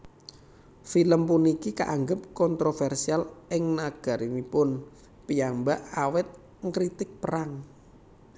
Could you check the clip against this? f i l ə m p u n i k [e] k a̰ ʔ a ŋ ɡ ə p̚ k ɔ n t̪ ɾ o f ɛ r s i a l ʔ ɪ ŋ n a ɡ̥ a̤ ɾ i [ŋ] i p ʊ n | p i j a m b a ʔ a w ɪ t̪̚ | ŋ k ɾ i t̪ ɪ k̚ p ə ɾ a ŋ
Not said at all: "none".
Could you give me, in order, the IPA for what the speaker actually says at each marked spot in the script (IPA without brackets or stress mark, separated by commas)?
i, m